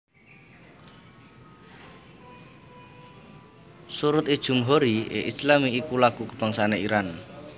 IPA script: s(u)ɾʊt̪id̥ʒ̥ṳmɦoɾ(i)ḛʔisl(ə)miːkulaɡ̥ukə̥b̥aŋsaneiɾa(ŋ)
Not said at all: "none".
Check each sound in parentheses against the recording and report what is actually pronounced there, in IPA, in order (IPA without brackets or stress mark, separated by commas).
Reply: u, i, a, n